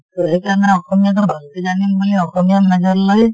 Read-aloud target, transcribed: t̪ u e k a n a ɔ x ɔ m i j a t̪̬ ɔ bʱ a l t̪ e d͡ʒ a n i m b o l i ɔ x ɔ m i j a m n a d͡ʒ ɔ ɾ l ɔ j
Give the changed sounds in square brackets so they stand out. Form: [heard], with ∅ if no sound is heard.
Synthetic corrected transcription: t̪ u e k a n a ɔ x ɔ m i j a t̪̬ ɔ bʱ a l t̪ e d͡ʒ a n i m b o l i ɔ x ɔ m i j a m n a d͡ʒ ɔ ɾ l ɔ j

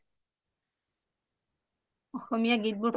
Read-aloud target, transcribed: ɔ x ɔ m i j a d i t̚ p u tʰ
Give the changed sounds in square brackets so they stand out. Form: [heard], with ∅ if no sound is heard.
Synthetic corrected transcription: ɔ x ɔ m i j a [ɡ] i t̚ [b] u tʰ

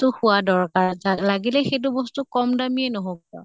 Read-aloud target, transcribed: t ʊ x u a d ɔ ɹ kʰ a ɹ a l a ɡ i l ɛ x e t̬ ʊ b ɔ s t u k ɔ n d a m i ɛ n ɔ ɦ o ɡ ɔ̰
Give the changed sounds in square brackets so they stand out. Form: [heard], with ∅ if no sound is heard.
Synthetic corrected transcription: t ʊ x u a d ɔ ɹ [k] a ɹ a l a ɡ i l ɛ x e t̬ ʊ b ɔ s t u k ɔ [m] d a m i ɛ n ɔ ɦ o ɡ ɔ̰

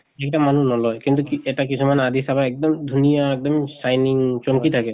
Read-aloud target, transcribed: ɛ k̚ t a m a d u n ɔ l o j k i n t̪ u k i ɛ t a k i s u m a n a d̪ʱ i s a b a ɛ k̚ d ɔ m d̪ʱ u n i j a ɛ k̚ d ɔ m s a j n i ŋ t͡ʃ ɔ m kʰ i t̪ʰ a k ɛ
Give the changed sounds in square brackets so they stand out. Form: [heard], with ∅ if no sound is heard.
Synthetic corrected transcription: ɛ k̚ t a m a [n] u n ɔ l [ɔ] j k i n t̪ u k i ɛ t a k i s u m a n a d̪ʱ i s a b a ɛ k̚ d ɔ m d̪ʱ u n i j a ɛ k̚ d ɔ m s a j n i ŋ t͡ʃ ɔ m [k] i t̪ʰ a k ɛ

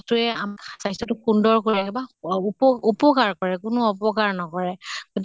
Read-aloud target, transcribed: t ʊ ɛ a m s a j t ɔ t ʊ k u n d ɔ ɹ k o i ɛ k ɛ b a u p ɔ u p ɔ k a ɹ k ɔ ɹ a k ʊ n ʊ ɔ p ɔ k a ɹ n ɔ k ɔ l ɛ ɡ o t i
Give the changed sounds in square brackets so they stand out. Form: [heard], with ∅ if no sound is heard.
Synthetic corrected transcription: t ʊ ɛ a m s a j [s] ɔ t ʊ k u n d ɔ ɹ k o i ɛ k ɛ b a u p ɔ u p ɔ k a ɹ k ɔ ɹ [ɛ] k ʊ n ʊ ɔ p ɔ k a ɹ n ɔ k ɔ [ɹ] ɛ ɡ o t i

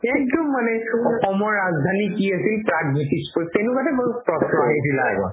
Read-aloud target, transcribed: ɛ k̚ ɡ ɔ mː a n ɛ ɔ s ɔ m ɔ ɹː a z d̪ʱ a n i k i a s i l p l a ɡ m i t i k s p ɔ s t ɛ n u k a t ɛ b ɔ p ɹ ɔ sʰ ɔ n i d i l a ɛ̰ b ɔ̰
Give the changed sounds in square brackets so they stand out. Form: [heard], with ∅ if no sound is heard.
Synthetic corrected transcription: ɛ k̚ [d] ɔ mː a n ɛ ɔ [x] ɔ m ɔ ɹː a z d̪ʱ a n i k i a s i l p [ɹ] a ɡ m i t i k s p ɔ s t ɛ n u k a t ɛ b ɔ p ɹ ɔ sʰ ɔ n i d i l a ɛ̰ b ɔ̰

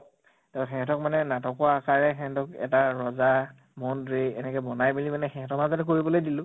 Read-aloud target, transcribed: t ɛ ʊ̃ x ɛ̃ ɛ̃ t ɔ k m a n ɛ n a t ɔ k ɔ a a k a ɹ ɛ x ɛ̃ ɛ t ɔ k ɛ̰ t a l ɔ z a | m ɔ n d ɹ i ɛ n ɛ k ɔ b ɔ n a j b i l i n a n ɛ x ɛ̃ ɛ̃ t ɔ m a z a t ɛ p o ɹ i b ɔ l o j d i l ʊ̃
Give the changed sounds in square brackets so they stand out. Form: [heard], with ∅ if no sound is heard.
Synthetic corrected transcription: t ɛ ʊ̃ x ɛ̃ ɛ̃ t ɔ k m a n ɛ n a t ɔ k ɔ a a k a ɹ ɛ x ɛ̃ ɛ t ɔ k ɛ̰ t a [ɹ] ɔ z a | m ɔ n d ɹ i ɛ n ɛ k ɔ b ɔ n a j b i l i [m] a n ɛ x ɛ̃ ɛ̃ t ɔ m a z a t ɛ [k] o ɹ i b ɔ l o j d i l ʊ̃

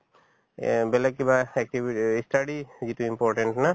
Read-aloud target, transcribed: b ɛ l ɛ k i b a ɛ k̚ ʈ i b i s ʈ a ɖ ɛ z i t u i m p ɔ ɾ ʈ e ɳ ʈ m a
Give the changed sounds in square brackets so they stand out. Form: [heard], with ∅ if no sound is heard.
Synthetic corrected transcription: b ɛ l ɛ k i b a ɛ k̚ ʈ i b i s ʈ a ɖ [i] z i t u i m p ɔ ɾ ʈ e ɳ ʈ [n] a

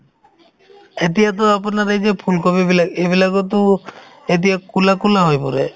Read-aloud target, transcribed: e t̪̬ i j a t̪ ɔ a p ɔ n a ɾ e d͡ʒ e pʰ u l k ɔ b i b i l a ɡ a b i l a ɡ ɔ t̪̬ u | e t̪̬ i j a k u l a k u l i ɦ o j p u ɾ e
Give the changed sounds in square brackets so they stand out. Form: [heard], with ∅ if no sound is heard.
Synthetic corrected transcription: e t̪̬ i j a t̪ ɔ a p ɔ n a ɾ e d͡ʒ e pʰ u l k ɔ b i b i l a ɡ [e] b i l a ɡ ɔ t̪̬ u | e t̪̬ i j a k u l a k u l [a] ɦ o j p [ɔ] ɾ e

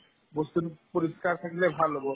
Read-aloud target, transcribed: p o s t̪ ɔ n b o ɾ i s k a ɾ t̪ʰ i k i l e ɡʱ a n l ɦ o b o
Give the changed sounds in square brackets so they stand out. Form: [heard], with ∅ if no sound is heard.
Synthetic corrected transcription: [b] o s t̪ [u] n [p] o ɾ i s k a ɾ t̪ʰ [a] k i l e [bʱ] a [∅] l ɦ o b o

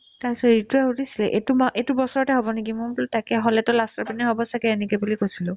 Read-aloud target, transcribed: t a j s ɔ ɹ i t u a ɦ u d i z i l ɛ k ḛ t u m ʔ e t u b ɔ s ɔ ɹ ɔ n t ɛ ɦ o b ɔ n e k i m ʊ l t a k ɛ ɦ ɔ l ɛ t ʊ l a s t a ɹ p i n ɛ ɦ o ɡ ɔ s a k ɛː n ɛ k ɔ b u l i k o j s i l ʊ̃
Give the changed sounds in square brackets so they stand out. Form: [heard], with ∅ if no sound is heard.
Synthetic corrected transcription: t a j s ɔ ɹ i t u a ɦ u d i [s] i l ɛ [ʔ] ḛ t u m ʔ e t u b ɔ s ɔ ɹ ɔ [∅] t ɛ ɦ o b ɔ n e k i m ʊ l t a k ɛ ɦ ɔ l ɛ t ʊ l a s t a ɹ p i n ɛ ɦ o [b] ɔ s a k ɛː n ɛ k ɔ b u l i k o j s i l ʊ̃

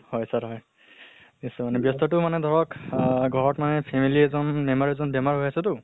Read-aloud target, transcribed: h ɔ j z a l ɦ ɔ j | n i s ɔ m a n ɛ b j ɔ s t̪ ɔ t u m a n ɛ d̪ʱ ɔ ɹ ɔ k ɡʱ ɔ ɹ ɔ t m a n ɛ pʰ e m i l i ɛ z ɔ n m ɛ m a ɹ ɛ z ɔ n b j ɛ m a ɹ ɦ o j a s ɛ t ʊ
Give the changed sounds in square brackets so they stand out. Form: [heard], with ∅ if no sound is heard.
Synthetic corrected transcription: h ɔ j [s] a [ɹ] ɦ ɔ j | n i s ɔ m a n ɛ b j ɔ s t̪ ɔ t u m a n ɛ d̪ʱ ɔ ɹ ɔ k ɡʱ ɔ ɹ ɔ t m a n ɛ pʰ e m i l i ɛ z ɔ n m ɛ m a ɹ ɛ z ɔ n b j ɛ m a ɹ ɦ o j a s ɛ t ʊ

